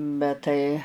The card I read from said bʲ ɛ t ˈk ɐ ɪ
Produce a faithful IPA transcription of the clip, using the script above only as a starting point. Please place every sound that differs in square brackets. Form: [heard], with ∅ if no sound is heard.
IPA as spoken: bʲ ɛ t [ˈt] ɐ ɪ